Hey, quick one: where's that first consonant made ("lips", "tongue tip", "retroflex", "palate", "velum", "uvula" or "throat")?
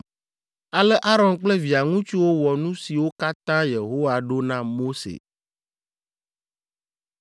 tongue tip